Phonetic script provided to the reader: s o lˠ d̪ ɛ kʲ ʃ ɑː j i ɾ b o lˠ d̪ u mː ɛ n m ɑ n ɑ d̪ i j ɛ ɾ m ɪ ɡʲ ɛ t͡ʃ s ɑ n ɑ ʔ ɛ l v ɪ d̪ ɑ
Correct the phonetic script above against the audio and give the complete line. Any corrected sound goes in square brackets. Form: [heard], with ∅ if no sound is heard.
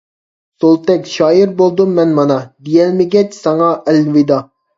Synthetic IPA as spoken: s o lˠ [t̪] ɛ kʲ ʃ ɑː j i ɾ b o lˠ d̪ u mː ɛ n m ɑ n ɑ d̪ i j ɛ [l] m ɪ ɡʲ ɛ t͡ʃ s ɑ [ŋ] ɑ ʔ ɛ l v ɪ d̪ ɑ